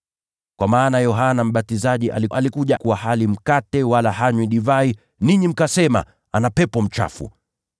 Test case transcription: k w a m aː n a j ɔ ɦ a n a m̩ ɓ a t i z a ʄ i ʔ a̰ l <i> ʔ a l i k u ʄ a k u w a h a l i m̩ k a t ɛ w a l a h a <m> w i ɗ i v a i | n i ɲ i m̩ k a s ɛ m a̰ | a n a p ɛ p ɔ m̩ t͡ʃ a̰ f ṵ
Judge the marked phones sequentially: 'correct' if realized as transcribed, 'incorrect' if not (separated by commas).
correct, incorrect